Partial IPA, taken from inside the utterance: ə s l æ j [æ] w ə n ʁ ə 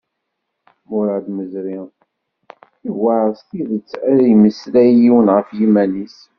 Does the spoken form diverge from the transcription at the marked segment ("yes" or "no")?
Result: yes